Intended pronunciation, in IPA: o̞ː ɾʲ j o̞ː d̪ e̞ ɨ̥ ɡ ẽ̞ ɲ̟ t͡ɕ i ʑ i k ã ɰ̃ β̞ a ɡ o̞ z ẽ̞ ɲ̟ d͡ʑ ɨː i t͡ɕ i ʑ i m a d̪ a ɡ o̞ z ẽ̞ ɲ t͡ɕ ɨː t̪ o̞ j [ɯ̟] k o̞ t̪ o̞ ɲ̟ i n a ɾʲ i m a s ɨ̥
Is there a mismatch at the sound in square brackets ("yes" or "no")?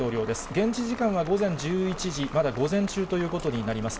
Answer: yes